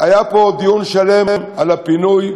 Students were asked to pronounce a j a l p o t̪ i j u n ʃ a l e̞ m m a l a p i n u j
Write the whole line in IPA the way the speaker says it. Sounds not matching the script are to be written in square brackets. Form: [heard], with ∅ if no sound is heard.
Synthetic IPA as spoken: a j a [∅] p o [d̪] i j u n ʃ a l e̞ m m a l a p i n u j